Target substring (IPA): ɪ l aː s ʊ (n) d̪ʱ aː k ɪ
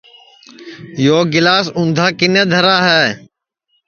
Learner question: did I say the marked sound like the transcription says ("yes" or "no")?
yes